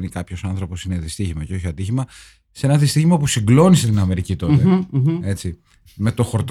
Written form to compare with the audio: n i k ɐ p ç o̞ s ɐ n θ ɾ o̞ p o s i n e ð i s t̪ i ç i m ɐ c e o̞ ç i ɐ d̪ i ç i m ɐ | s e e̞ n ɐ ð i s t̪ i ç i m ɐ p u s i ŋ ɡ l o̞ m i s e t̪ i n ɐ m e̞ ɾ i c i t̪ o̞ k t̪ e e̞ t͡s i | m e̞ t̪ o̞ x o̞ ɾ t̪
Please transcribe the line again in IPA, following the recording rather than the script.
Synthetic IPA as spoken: n i k ɐ p ç o̞ s ɐ n θ ɾ o̞ p o s i n e ð i s t̪ i ç i m ɐ c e o̞ ç i ɐ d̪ i ç i m ɐ | s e e̞ n ɐ ð i s t̪ i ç i m ɐ p u s i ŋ ɡ l o̞ n i s e t̪ i n ɐ m e̞ ɾ i c i t̪ o̞ t̪ e e̞ t͡s i | m e̞ t̪ o̞ x o̞ ɾ t̪